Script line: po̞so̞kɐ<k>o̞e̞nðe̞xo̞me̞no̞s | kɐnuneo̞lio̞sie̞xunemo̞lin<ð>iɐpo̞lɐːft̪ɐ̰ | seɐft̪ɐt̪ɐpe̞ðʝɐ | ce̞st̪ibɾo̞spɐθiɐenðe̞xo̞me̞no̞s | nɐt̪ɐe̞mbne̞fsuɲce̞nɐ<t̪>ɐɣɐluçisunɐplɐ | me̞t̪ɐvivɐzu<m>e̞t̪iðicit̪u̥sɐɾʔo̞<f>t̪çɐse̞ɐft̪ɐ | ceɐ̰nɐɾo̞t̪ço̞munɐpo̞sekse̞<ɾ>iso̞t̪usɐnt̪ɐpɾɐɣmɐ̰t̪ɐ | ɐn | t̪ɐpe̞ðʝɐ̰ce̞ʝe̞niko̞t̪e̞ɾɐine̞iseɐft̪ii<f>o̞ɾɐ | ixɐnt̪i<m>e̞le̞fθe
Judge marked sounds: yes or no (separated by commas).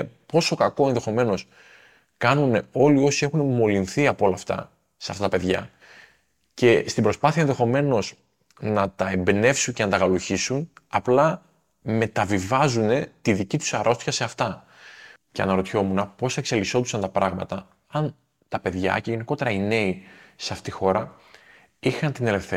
yes, no, yes, no, no, no, no, no